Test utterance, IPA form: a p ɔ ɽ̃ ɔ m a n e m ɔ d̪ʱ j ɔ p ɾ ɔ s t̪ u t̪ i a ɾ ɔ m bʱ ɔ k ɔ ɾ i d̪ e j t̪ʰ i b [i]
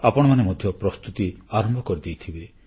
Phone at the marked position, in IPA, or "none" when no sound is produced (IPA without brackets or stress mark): e